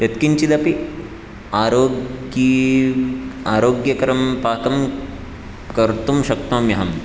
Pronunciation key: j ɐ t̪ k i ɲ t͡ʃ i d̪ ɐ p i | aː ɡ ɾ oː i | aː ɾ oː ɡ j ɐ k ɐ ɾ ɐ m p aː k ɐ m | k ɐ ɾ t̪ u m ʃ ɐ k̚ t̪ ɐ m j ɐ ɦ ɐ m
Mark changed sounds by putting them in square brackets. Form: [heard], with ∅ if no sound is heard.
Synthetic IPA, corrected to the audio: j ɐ t̪ k i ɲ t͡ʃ i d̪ ɐ p i | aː [∅] ɾ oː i | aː ɾ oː ɡ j ɐ k ɐ ɾ ɐ m p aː k ɐ m | k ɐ ɾ t̪ u m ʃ ɐ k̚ t̪ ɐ m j ɐ ɦ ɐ m